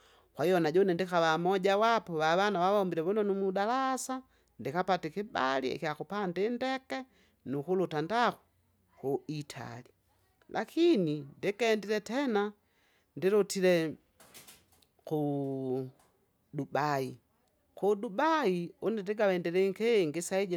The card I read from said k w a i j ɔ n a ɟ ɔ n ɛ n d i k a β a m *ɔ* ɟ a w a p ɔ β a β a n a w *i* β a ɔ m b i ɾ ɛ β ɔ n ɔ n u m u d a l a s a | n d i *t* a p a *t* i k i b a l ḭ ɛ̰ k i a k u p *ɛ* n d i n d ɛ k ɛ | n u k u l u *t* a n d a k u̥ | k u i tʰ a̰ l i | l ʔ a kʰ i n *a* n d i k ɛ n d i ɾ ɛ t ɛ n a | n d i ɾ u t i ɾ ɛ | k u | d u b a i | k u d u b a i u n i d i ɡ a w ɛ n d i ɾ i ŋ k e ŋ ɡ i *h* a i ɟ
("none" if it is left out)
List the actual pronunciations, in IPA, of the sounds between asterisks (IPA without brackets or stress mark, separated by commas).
ɔ, a, k, t, a, t, i, s